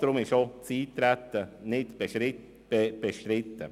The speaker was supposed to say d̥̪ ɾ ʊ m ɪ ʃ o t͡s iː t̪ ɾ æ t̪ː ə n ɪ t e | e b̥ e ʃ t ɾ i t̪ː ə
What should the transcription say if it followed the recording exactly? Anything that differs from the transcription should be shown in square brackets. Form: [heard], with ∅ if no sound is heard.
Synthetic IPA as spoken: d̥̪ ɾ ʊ m ɪ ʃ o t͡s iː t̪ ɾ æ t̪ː ə n ɪ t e | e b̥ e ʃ t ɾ [ɪ] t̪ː ə

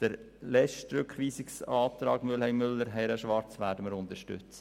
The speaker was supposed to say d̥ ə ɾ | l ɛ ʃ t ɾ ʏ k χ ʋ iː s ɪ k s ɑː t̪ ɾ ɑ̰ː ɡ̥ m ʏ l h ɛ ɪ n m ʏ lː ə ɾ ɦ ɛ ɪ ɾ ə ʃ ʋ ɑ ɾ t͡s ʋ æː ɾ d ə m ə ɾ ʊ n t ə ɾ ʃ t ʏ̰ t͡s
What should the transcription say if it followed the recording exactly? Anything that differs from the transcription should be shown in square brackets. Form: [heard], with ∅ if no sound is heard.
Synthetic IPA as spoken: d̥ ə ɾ | l ɛ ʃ t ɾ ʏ k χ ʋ iː s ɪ k s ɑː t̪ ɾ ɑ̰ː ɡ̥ m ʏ l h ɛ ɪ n m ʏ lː ə ɾ ɦ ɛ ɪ ɾ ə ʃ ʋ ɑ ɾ t͡s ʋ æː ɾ d ə m ə ɾ ʊ n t ə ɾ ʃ t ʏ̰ t͡s

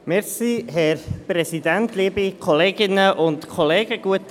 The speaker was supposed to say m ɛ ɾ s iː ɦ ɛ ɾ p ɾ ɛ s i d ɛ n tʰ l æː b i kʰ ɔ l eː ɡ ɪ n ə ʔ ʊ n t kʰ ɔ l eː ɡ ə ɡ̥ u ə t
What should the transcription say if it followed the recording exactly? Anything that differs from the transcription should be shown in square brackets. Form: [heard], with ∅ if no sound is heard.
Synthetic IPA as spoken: m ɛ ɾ s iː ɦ ɛ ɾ p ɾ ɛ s i d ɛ n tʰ l [iː] b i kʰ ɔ l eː ɡ ɪ n ə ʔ ʊ n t kʰ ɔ l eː ɡ ə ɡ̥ u ə t

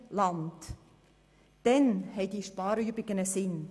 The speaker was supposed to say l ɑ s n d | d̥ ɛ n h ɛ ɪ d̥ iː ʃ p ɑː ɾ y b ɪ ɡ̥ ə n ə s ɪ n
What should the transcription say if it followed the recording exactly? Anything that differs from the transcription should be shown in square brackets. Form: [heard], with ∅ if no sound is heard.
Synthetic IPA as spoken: l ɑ [∅] n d | d̥ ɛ n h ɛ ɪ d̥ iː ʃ p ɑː ɾ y b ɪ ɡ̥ ə n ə s ɪ n

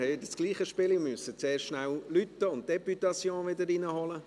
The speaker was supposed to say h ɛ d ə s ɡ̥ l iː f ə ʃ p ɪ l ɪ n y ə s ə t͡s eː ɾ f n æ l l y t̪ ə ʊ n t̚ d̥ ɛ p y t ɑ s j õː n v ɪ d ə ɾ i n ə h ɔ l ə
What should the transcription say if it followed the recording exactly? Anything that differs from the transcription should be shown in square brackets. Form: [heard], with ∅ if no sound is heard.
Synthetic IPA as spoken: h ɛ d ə s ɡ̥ l iː [χ] ə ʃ p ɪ l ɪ [m] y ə s ə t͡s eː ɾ [ʃ] n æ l l y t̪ ə ʊ n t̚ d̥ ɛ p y t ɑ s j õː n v ɪ d ə ɾ i n ə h ɔ l ə

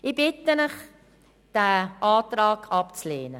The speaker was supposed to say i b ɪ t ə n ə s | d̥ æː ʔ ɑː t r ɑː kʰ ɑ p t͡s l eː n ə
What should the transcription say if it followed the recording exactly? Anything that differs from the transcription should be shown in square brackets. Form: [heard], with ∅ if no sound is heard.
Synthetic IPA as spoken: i b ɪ t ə n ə [χ] | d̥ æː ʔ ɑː t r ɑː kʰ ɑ p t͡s l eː n ə

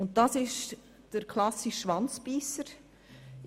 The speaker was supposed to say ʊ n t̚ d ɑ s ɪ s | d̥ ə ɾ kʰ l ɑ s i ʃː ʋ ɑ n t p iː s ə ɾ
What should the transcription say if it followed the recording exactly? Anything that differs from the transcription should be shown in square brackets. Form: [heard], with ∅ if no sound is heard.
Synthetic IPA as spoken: ʊ n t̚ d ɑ s ɪ [ʃ] | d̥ ə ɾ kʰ l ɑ s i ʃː ʋ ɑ n [t͡s] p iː s ə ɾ

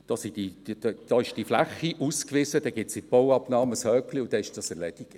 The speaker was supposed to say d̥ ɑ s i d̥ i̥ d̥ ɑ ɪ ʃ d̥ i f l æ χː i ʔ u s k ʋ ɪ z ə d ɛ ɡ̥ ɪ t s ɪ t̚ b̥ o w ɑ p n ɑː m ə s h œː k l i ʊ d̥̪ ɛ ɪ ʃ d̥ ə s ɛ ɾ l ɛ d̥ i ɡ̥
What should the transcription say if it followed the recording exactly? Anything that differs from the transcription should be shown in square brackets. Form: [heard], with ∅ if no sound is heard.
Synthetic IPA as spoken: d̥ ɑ s i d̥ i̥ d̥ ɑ ɪ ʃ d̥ i f l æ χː i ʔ u s k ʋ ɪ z ə d ɛ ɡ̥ ɪ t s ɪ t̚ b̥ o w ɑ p n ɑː m ə s h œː k l i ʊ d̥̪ ɛ ɪ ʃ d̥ [ɑ] s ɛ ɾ l ɛ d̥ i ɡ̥

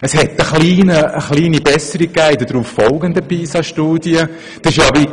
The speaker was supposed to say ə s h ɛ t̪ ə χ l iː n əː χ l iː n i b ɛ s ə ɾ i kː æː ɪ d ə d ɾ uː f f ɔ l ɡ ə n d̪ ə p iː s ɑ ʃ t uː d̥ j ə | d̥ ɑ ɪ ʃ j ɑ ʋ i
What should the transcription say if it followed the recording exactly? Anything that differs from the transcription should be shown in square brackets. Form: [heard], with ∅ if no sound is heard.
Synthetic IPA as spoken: ə s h ɛ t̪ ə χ l iː n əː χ l iː n i b ɛ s ə ɾ i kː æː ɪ d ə d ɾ uː f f ɔ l ɡ ə n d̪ ə p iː s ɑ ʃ t uː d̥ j ə | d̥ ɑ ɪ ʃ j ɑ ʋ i

